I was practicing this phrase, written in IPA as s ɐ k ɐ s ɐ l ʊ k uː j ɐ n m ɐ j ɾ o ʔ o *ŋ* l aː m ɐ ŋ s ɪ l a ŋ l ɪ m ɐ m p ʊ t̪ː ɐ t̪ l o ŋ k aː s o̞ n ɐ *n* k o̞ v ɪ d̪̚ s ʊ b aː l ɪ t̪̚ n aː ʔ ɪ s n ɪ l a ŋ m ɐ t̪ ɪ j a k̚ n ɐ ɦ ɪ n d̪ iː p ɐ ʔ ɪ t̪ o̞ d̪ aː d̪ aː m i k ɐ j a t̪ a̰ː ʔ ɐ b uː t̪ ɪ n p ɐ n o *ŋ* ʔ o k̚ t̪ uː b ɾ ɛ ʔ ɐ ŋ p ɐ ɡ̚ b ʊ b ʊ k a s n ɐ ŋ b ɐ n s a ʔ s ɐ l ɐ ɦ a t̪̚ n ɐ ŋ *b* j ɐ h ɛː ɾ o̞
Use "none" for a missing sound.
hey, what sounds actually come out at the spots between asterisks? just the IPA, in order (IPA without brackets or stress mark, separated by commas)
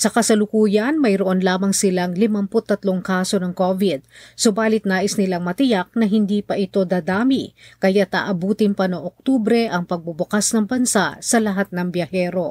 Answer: n, ŋ, ŋ, b